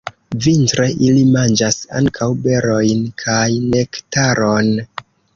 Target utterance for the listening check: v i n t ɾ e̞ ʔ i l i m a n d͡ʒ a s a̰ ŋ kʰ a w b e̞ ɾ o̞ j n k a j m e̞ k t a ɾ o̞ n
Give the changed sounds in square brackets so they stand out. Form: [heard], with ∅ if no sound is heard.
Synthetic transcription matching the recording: v i n t ɾ e̞ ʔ i l i m a n d͡ʒ a s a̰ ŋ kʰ a w b e̞ ɾ o̞ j n [kʰ] a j [n] e̞ k t a ɾ o̞ n

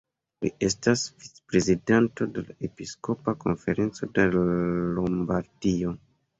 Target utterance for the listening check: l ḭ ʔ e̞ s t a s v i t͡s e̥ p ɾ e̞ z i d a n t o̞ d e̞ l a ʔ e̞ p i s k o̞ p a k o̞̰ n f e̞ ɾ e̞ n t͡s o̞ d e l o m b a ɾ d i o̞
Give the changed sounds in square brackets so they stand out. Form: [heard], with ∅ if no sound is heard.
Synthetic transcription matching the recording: l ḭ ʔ e̞ s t a s v i t͡s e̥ p ɾ e̞ z i d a n t o̞ d e̞ l a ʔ e̞ p i s k o̞ p a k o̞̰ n f e̞ ɾ e̞ n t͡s o̞ d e l o m b a ɾ d i o̞

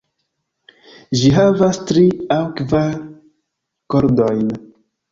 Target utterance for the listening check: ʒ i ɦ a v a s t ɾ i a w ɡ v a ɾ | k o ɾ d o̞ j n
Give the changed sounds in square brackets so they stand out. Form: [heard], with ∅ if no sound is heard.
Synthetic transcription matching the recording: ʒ i ɦ a v a s t ɾ i a w [k] v a ɾ | k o ɾ d o̞ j n

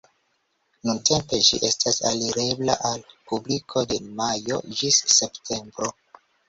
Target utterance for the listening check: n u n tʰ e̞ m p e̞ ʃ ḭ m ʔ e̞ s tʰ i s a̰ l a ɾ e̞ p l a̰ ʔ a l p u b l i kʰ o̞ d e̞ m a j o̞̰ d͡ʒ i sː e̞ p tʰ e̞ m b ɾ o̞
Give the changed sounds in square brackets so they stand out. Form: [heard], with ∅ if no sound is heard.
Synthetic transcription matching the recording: n u n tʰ e̞ m p e̞ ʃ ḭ [∅] ʔ e̞ s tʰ [a] s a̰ l [i] ɾ e̞ [b] l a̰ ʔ a l p u b l i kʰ o̞ d e̞ m a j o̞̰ d͡ʒ i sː e̞ p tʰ e̞ m b ɾ o̞

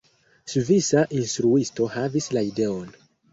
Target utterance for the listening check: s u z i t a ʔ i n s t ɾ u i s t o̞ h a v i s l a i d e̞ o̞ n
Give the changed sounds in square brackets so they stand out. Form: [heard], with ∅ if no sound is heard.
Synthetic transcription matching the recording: s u [v] i [s] a ʔ i n s t ɾ u i s t o̞ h a v i s l a i d e̞ o̞ n

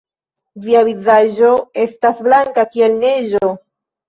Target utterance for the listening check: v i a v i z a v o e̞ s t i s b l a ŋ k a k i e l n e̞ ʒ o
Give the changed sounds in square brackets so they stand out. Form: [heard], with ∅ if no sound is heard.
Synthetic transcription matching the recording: v i a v i z a [ʒ] o e̞ s t [a] s b l a ŋ k a k i e l n e̞ ʒ o

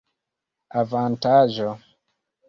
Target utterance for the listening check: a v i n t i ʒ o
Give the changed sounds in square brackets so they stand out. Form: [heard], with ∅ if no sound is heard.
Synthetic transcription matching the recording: a v [a] n t [a] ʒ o

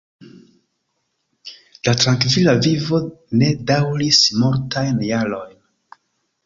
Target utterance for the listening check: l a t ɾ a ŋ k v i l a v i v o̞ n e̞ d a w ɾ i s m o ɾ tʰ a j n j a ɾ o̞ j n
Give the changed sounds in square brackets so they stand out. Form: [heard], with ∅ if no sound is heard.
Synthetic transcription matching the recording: l a t ɾ a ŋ k v i l a v i v o̞ n e̞ d a w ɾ i s m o ɾ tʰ a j n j a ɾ o̞ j n

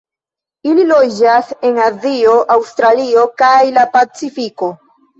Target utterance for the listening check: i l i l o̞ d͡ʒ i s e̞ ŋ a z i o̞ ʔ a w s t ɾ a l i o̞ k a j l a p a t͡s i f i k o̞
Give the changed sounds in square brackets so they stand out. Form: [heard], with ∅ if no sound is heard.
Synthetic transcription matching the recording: i l i l o̞ d͡ʒ [a] s e̞ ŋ a z i o̞ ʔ a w s t ɾ a l i o̞ k a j l a p a t͡s i f i k o̞

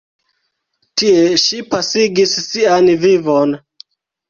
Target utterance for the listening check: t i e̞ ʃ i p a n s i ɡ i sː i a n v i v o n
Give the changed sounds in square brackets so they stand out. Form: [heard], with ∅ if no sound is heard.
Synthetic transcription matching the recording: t i e̞ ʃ i p a [∅] s i ɡ i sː i a n v i v o n

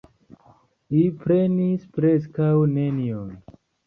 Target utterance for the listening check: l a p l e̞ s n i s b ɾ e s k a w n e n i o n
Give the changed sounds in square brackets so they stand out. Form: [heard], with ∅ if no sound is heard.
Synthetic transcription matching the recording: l [i] p [ɾ] e̞ [∅] n i s [p] ɾ e s k a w n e n i o n

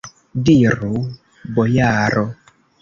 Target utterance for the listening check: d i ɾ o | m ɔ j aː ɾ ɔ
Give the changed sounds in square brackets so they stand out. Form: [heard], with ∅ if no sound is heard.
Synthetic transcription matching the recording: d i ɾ [u] | [b] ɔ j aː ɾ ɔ

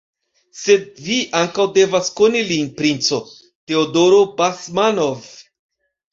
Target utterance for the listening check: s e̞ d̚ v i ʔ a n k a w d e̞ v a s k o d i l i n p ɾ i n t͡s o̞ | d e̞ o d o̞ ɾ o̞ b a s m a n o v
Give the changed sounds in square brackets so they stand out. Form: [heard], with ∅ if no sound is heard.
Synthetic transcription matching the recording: s e̞ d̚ v i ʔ a [ŋ] k a w d e̞ v a s k o [n] i l i n p ɾ i n t͡s o̞ | [t] e̞ o d o̞ ɾ o̞ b a s m a n o v

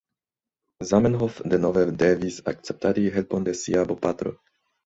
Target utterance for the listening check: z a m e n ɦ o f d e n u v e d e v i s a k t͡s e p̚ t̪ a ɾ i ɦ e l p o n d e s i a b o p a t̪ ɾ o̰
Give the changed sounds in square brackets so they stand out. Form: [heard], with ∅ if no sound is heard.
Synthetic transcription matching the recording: z a m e n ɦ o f d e n [o] v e d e v i s a k t͡s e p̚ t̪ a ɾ i ɦ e l p o n d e s i a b o p a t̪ ɾ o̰

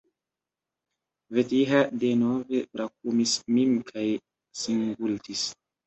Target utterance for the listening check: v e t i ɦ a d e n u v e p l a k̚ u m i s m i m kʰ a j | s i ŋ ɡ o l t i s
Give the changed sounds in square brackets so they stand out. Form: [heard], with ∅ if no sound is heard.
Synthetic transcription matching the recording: v e t i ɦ a d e n [o] v e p [ɾ] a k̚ u m i s m i m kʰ a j | s i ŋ ɡ [u] l t i s

